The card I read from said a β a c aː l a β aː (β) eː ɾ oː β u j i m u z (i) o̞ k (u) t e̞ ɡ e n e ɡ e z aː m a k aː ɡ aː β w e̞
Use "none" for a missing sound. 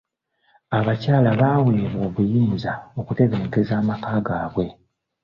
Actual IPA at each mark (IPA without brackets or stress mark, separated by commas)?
w, a, u